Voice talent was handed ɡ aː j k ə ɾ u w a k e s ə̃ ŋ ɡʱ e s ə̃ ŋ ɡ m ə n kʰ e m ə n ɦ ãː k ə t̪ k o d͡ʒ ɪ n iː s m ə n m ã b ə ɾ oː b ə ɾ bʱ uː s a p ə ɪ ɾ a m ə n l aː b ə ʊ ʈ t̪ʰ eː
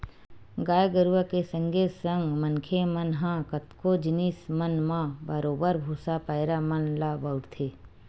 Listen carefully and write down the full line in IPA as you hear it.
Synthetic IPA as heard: ɡ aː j ɡ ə ɾ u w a k e s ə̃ ŋ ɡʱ e s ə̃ ŋ ɡ m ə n kʰ e m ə n ɦ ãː k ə t̪ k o d͡ʒ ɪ n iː s m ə n m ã b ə ɾ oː b ə ɾ bʱ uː s a p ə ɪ ɾ a m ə n l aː b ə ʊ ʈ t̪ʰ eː

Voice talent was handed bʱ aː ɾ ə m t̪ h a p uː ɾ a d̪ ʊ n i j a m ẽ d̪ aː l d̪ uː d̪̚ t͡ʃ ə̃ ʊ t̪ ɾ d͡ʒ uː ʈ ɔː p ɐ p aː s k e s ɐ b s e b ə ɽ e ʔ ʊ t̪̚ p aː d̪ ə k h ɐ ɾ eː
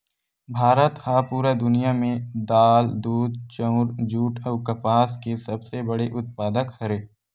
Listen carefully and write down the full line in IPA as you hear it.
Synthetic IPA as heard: bʱ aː ɾ ə t̪ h a p uː ɾ a d̪ ʊ n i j a m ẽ d̪ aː l d̪ uː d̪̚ t͡ʃ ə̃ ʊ ɾ d͡ʒ uː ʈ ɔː k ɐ p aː s k e s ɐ b s e b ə ɽ e ʔ ʊ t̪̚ p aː d̪ ə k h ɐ ɾ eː

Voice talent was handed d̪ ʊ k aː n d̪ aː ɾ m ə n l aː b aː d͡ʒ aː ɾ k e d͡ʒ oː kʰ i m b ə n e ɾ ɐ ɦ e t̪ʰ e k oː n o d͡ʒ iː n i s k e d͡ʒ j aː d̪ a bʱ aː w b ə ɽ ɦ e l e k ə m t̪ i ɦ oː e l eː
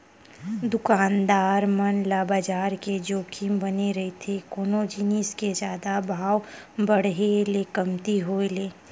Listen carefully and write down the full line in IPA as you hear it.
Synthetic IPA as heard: d̪ ʊ k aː n d̪ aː ɾ m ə n l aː b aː d͡ʒ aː ɾ k e d͡ʒ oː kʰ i m b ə n e ɾ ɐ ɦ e t̪ʰ e k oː n o d͡ʒ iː n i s k e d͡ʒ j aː d̪ a bʱ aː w b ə ɽ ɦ e l e k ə m t̪ i ɦ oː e l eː

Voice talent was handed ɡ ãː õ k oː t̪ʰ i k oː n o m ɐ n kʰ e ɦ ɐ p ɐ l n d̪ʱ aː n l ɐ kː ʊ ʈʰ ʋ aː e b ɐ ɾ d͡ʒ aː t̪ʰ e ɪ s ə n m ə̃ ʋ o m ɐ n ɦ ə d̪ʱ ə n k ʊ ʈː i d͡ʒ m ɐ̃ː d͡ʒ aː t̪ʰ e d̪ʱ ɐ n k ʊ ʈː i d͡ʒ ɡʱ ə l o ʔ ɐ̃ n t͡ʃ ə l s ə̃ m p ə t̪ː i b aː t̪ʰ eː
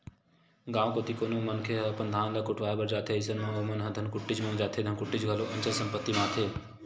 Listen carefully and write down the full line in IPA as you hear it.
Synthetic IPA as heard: ɡ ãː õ k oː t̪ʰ i k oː n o m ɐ n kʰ e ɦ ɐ p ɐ n d̪ʱ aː n l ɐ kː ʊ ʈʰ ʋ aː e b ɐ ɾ d͡ʒ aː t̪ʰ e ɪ s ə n m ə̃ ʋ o m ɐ n ɦ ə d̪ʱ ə n k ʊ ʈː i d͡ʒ m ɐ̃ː d͡ʒ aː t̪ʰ e d̪ʱ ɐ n k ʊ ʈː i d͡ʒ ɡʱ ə l o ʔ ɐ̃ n t͡ʃ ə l s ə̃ m p ə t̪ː i m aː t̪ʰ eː

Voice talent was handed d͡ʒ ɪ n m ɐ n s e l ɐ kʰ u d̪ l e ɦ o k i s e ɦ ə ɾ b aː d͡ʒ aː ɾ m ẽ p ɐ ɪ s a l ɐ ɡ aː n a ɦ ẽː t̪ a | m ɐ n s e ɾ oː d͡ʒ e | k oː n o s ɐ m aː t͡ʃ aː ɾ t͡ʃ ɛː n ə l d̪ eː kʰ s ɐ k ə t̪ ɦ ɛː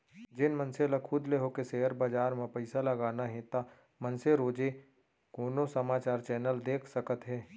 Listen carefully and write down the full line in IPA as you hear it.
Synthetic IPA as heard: d͡ʒ ɪ n m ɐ n s e l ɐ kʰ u d̪ l e ɦ o k e s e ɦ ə ɾ b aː d͡ʒ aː ɾ m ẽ p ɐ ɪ s a l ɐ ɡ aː n a ɦ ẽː t̪ a | m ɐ n s e ɾ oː d͡ʒ e | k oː n o s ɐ m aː t͡ʃ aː ɾ t͡ʃ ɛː n ə l d̪ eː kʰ s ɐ k ə t̪ ɦ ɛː

